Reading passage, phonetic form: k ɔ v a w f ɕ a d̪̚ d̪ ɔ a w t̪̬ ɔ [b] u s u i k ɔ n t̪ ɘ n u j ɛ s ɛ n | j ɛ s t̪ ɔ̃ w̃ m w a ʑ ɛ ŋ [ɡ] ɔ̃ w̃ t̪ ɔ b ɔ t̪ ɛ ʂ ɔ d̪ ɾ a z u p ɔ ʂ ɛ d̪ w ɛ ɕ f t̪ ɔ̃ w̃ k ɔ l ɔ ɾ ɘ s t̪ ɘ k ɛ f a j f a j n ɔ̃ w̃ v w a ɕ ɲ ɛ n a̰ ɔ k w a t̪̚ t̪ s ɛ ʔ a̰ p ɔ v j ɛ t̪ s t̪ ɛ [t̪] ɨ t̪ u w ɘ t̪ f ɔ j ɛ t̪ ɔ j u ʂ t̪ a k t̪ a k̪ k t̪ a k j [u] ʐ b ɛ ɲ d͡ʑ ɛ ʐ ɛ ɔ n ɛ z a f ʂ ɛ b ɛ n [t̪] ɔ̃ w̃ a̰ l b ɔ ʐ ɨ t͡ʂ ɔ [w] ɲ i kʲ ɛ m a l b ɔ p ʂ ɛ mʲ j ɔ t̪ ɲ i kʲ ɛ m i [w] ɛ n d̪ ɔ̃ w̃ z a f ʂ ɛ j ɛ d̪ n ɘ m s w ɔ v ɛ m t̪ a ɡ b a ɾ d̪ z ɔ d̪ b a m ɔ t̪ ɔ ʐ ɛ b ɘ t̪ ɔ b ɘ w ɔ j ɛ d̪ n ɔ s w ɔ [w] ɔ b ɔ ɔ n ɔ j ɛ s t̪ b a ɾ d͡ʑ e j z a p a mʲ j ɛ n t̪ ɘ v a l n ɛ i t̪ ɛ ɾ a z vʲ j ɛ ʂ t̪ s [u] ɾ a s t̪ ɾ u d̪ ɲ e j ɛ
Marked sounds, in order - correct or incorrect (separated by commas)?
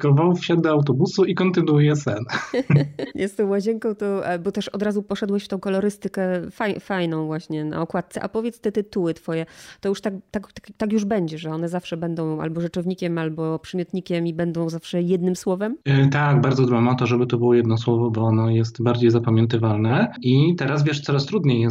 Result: correct, incorrect, correct, correct, incorrect, incorrect, incorrect, incorrect, incorrect